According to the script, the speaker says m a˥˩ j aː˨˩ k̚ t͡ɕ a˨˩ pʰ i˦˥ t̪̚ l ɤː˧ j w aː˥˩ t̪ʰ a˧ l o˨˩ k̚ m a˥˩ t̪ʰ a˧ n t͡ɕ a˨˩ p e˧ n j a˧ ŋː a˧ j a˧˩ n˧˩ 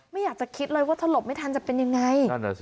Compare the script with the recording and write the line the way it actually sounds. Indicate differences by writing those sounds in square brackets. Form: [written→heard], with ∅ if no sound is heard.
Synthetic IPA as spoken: m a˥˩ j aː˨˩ k̚ t͡ɕ a˨˩ [pʰ→kʰ] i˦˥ t̪̚ l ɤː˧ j w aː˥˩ t̪ʰ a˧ l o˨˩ [k̚→p̚] m a˥˩ t̪ʰ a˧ n t͡ɕ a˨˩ p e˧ n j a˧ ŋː a˧ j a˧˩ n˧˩